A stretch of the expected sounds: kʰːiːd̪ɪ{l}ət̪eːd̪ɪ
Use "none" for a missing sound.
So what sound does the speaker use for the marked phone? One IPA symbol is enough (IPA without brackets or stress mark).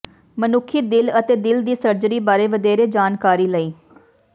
l